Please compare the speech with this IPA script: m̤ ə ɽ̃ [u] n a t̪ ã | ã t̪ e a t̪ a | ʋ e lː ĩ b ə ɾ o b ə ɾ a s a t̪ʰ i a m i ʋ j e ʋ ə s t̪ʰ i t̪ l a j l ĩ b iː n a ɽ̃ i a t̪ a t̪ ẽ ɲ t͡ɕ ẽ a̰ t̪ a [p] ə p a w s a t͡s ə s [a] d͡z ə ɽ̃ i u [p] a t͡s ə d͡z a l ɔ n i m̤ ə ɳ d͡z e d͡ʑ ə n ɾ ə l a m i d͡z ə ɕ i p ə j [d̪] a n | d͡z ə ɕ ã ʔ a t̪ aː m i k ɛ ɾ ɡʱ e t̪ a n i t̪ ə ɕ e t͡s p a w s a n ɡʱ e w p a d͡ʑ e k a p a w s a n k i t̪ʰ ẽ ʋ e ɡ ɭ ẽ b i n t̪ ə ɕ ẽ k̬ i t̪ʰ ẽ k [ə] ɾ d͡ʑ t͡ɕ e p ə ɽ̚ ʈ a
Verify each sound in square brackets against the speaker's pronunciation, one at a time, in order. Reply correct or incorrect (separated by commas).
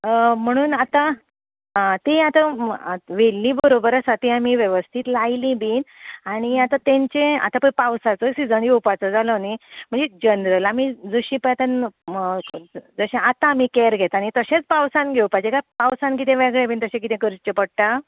incorrect, correct, incorrect, correct, incorrect, correct